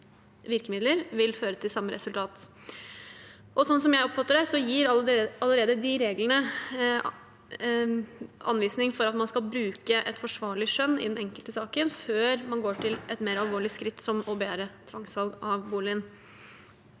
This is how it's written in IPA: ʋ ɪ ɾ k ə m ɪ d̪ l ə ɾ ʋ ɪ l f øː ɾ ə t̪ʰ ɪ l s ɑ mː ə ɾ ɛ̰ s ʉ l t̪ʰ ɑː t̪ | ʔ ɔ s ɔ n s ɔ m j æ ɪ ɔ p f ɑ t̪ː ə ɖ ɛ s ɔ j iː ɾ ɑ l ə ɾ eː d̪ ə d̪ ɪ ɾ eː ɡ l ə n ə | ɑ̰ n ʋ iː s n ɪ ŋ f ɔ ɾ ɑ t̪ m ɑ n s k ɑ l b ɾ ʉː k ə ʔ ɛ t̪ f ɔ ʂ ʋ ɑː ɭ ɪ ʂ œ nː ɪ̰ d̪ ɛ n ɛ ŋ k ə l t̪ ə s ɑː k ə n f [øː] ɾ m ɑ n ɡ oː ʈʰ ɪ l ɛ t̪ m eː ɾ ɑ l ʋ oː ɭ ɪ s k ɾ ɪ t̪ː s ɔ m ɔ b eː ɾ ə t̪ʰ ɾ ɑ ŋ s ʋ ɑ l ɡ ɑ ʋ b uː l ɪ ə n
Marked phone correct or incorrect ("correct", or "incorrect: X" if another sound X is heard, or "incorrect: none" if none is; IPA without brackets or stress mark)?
correct